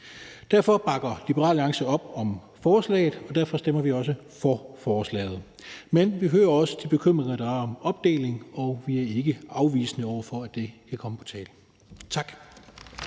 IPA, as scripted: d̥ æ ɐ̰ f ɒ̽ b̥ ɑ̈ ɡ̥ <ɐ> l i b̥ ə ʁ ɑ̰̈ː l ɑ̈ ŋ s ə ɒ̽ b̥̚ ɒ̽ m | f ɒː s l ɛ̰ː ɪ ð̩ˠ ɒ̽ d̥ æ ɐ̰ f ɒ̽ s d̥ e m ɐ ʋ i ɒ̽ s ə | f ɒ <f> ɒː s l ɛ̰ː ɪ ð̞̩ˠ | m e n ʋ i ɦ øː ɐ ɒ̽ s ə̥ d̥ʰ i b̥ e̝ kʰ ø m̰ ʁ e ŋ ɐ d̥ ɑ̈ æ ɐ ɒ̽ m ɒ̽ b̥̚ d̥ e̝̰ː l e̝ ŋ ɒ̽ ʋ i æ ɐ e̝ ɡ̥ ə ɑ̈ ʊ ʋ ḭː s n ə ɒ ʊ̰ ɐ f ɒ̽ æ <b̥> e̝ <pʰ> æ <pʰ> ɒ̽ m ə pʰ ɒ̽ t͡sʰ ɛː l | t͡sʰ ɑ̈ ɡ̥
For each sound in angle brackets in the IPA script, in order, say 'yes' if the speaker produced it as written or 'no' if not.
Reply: yes, yes, no, no, no

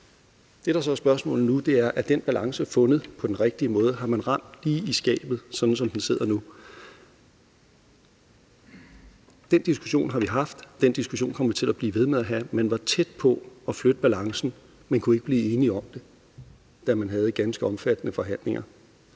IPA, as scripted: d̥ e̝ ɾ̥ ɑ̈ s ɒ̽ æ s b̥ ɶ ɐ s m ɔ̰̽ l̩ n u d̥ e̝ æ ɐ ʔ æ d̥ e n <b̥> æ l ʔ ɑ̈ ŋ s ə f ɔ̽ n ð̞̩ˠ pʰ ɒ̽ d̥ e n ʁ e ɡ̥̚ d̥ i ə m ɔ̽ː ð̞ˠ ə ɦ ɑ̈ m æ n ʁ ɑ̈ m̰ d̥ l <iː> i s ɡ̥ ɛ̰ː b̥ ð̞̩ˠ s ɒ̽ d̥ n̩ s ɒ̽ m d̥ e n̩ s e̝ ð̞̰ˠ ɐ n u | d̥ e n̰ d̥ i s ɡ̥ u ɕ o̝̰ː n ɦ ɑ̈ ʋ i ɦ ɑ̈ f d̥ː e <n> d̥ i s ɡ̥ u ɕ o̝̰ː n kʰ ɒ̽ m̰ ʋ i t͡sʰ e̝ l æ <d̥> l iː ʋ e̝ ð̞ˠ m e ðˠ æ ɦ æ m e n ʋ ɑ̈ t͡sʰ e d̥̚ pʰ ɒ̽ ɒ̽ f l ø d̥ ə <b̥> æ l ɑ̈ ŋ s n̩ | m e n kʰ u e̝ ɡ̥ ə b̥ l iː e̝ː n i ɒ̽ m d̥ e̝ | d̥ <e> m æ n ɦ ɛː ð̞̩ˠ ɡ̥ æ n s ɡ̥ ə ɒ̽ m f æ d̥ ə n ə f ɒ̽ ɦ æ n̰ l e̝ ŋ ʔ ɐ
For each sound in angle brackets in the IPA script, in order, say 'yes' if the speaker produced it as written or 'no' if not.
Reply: yes, yes, yes, no, yes, no

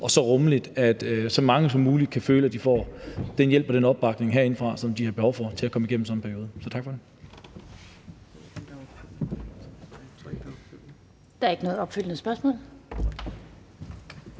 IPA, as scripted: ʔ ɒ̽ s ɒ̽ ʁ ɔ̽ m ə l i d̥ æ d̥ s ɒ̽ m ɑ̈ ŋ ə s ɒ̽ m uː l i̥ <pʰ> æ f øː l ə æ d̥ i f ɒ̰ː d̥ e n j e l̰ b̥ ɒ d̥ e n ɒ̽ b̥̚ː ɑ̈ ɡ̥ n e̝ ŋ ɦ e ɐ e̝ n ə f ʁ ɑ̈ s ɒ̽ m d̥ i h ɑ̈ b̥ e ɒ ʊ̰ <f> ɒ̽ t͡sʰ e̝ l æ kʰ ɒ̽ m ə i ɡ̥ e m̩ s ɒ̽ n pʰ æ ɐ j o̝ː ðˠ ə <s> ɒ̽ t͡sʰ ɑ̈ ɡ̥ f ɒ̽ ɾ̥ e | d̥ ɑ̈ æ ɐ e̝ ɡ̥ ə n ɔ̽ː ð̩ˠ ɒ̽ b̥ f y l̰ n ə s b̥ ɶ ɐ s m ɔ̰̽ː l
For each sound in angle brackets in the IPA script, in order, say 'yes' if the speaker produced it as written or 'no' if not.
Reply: no, yes, yes

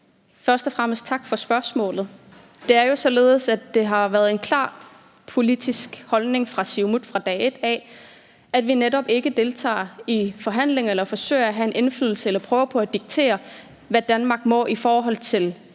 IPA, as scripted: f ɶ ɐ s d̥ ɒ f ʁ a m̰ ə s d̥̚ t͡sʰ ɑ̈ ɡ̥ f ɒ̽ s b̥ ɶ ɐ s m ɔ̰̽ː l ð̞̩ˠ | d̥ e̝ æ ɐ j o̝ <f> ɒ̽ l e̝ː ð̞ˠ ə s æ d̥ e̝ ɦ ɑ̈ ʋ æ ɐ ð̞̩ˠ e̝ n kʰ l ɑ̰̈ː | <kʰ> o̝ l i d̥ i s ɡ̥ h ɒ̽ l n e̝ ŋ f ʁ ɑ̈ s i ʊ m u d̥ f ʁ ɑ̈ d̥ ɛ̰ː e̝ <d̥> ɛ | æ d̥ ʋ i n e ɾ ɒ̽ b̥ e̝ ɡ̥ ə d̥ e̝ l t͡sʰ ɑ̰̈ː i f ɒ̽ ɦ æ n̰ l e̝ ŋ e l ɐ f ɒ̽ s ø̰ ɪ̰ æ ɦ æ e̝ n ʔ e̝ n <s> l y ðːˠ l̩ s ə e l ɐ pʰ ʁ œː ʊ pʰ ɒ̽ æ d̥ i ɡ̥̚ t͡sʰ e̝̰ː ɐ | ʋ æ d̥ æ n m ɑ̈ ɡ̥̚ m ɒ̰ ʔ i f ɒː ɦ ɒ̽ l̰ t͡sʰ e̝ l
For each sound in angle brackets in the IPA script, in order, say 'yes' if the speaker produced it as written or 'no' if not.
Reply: no, no, yes, no

